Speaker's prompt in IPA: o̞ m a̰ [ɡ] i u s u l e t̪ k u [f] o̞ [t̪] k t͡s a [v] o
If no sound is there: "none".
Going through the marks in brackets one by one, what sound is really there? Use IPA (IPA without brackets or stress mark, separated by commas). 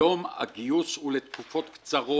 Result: ɡ, f, t̪, ʁ